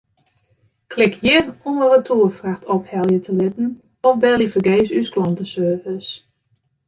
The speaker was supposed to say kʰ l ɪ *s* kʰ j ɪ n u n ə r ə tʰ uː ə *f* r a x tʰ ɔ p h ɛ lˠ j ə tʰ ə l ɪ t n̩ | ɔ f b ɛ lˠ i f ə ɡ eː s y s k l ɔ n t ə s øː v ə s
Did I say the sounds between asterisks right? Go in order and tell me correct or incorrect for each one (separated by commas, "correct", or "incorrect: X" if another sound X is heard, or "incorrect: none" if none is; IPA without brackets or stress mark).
incorrect: none, correct